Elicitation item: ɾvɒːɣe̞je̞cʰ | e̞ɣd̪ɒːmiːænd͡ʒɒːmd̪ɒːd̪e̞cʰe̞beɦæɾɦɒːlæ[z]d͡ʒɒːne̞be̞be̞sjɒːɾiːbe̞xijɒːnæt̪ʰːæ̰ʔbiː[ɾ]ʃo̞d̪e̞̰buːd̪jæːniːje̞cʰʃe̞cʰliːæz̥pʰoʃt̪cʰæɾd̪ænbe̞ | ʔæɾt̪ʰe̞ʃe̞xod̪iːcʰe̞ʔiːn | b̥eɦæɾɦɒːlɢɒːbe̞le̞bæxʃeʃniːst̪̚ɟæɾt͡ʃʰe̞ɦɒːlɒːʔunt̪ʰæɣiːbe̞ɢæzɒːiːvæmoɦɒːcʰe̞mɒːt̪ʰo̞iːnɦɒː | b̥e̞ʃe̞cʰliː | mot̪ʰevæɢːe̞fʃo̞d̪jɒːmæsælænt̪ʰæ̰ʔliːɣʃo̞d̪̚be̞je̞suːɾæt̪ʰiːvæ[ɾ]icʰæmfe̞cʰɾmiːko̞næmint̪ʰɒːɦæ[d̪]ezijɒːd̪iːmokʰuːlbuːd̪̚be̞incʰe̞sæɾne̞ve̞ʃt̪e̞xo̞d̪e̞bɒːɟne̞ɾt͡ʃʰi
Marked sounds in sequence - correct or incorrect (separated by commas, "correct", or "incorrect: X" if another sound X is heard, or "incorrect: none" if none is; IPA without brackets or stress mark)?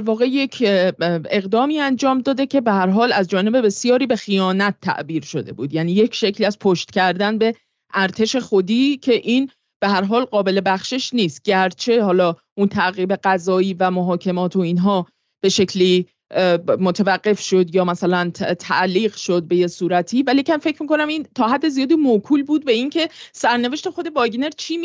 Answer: correct, correct, incorrect: l, incorrect: d̪ː